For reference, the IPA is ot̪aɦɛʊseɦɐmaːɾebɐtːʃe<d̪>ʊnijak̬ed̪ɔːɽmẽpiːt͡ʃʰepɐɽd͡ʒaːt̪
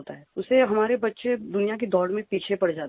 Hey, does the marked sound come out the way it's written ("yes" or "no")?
yes